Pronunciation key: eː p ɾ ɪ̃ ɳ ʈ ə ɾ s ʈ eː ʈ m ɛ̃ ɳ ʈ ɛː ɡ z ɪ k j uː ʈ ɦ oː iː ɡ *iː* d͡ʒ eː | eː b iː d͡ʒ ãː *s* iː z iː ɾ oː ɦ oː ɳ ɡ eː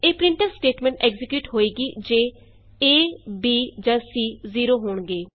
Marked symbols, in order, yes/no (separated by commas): yes, yes